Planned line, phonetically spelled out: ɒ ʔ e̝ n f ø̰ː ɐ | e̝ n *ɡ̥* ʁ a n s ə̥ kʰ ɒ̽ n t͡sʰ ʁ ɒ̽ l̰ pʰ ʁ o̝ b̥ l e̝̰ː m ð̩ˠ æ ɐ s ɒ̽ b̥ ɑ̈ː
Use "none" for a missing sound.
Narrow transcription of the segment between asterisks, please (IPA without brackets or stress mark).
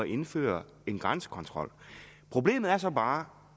ɡ̥